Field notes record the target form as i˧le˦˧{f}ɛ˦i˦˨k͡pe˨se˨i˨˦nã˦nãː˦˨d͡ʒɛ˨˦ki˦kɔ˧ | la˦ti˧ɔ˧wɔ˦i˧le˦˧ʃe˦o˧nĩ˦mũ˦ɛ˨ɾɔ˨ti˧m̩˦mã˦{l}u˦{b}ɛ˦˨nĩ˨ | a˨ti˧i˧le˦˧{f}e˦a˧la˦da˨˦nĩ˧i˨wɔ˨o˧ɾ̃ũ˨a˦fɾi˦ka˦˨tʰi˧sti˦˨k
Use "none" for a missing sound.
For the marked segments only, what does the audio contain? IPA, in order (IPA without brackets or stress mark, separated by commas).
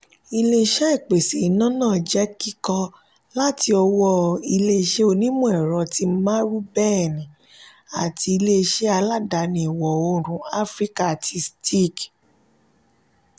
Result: ʃ, ɾ, b, ʃ